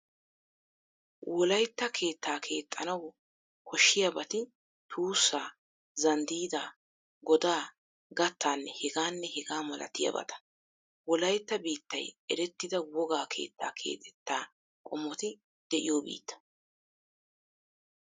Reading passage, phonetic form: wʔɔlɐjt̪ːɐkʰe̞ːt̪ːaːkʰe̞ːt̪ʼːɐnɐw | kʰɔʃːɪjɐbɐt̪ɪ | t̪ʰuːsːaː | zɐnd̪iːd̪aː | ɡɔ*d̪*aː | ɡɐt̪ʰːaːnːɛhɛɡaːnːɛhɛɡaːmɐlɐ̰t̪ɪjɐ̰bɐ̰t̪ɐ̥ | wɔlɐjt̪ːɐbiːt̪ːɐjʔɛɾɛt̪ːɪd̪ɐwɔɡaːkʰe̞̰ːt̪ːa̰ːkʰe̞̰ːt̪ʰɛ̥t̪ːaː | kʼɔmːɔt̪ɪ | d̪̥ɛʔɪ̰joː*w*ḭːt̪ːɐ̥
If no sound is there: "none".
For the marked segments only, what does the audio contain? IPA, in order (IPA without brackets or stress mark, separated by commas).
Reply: d̪, b